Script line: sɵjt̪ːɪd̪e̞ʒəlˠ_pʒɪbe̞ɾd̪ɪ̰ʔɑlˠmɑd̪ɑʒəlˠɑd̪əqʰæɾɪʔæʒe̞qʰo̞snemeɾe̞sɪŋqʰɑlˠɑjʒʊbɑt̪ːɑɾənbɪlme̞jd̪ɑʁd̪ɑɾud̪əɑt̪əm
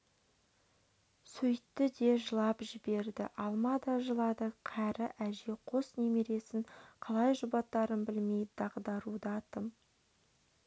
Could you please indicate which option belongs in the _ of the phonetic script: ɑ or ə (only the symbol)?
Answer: ɑ